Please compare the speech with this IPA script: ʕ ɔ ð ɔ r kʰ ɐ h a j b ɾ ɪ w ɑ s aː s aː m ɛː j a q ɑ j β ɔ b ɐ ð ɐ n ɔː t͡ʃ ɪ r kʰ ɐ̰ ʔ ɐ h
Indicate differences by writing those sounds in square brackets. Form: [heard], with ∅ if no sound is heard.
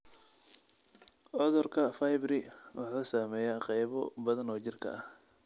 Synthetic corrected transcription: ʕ ɔ ð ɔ r kʰ ɐ [f] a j b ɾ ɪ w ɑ [ħ] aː s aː m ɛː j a q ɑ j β ɔ b ɐ ð ɐ n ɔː t͡ʃ ɪ r kʰ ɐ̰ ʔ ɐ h